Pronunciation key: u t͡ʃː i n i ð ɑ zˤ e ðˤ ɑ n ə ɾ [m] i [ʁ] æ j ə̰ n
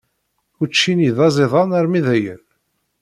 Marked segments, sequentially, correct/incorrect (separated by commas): correct, incorrect